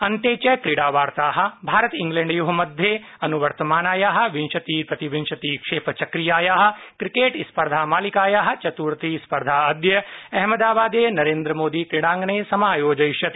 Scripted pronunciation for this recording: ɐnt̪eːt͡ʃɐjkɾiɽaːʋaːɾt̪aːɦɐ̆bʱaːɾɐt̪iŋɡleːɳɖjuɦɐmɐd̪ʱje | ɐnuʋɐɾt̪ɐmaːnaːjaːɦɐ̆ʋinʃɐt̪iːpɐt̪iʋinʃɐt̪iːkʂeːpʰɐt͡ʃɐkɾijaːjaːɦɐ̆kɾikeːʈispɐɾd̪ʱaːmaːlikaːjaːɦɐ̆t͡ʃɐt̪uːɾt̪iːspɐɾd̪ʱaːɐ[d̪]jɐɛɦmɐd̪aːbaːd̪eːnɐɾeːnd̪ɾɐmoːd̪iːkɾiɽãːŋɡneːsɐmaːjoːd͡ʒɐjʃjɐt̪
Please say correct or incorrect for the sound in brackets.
correct